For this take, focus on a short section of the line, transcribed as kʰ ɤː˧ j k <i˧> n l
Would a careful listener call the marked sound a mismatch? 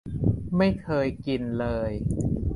no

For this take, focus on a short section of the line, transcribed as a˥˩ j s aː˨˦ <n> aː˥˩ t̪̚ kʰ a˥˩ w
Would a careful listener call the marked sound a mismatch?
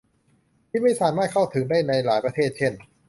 yes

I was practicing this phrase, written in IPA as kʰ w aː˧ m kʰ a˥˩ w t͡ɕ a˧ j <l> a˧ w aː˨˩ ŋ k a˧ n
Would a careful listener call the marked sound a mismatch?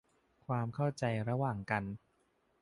yes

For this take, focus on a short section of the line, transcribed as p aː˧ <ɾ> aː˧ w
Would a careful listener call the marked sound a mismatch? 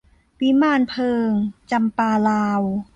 yes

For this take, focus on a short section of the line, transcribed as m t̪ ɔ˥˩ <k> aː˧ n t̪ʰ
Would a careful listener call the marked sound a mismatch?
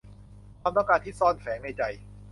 no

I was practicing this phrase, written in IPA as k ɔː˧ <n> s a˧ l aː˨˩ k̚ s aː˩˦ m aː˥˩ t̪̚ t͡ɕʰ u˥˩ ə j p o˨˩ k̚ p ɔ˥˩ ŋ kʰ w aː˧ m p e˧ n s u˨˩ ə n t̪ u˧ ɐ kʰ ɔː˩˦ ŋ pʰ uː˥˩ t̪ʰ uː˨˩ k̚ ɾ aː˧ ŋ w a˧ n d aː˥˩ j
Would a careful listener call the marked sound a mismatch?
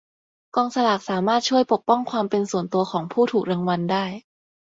yes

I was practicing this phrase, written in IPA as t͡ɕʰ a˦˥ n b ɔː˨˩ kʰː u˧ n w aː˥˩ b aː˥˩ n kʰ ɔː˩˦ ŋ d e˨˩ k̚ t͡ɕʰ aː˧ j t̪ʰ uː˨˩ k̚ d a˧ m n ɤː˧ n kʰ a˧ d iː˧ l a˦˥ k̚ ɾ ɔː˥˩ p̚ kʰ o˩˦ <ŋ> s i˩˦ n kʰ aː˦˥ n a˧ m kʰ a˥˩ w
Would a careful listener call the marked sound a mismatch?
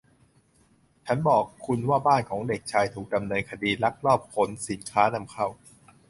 yes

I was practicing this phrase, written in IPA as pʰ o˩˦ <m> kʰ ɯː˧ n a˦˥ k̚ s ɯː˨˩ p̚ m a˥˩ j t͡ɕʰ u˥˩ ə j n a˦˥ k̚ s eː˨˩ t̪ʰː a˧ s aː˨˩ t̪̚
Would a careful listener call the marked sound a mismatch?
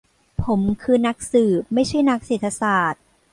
no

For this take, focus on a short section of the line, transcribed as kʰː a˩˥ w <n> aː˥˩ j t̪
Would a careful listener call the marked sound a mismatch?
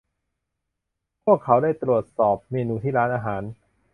yes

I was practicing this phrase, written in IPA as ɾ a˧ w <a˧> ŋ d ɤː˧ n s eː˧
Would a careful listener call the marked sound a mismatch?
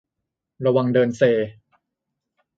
no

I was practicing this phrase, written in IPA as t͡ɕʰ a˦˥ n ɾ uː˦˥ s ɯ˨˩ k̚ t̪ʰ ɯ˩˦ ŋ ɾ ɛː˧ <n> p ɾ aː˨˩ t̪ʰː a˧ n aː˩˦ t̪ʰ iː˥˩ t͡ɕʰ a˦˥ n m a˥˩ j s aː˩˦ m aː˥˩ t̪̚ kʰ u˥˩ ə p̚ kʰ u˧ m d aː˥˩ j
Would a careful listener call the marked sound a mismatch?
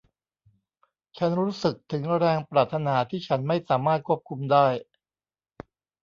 yes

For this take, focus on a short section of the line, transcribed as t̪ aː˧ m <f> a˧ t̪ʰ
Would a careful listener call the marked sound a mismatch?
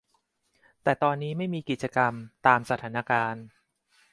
yes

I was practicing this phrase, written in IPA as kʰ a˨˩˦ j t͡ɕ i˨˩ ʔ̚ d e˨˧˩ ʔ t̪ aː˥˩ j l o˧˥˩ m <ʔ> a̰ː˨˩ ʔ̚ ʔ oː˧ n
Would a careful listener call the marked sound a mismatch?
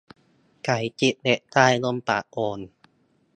yes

